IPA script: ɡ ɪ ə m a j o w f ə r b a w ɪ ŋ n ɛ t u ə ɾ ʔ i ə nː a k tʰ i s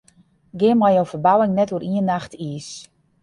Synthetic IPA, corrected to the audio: ɡ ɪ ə m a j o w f ə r b a w ɪ ŋ n ɛ t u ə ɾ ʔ i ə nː a x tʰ i s